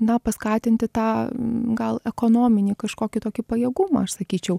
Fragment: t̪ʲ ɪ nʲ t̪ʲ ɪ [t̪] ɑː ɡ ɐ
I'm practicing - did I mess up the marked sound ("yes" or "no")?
no